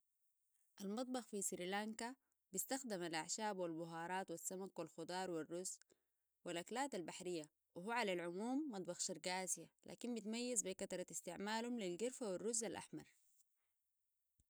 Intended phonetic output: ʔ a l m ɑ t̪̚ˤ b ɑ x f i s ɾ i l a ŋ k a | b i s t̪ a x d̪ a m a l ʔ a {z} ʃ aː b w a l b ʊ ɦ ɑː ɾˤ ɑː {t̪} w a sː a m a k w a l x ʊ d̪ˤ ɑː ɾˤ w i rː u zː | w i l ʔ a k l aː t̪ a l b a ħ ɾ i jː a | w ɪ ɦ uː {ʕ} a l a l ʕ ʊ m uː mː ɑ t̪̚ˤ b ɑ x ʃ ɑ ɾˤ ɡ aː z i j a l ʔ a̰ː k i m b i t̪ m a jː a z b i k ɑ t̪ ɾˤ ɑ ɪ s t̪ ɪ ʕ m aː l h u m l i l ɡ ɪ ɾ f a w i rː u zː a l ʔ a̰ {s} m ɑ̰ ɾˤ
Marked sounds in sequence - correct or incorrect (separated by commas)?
incorrect, correct, correct, incorrect